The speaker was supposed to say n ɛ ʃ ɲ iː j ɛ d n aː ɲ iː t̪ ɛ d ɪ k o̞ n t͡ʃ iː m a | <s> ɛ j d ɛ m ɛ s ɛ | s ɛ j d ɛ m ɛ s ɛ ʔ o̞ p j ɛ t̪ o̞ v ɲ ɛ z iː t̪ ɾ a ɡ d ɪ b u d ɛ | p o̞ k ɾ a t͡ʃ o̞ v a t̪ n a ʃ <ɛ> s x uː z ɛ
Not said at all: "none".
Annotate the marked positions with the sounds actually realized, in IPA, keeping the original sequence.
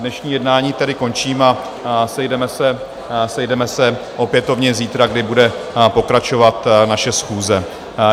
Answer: s, ɛ

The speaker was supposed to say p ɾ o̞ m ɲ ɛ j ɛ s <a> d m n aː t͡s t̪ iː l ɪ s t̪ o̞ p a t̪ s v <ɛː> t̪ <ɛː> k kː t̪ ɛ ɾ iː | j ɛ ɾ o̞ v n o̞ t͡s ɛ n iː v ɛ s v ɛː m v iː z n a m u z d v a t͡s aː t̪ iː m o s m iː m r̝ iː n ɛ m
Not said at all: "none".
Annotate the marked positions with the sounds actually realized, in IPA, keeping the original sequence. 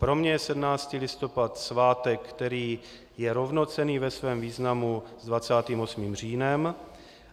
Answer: ɛ, aː, ɛ

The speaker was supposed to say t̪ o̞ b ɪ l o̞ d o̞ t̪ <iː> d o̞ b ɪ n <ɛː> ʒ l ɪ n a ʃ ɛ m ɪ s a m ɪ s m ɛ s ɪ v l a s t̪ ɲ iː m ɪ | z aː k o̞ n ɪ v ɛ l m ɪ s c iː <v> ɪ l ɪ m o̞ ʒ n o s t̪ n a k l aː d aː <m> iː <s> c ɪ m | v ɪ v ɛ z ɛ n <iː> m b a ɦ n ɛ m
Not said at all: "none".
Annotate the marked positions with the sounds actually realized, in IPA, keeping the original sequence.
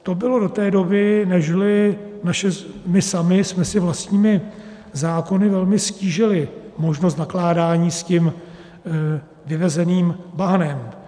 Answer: ɛː, ɛ, ʒ, ɲ, s, iː

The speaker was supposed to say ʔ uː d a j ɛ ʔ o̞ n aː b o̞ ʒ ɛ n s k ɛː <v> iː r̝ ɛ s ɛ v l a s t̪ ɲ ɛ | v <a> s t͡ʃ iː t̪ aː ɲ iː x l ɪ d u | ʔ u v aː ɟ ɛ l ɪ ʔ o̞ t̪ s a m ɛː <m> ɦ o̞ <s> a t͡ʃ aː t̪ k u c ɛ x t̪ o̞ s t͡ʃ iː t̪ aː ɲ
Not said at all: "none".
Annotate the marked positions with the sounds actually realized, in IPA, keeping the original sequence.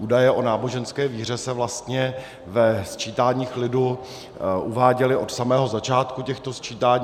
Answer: v, ɛ, none, z

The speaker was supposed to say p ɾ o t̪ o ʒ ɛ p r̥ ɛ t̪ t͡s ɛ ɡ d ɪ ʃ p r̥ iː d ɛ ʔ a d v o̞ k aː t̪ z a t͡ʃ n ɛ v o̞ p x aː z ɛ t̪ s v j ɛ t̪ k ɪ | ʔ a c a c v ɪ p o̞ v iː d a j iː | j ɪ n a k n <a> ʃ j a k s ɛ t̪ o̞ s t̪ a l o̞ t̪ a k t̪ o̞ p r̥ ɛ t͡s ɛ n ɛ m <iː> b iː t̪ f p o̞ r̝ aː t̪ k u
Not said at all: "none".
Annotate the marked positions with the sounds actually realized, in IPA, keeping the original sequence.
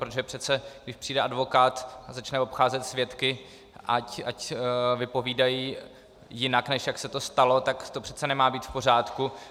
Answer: ɛ, aː

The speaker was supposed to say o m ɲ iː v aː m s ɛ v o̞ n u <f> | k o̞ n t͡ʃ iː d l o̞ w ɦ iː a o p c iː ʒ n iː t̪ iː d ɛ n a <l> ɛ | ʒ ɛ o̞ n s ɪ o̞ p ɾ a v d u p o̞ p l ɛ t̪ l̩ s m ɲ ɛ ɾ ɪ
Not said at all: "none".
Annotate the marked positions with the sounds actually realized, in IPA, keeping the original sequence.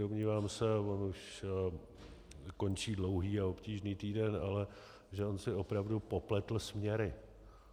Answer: ʃ, l

